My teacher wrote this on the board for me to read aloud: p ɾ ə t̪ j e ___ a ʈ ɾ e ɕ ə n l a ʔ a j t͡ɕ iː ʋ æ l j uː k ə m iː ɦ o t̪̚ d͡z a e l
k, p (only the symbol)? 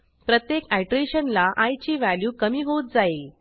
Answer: k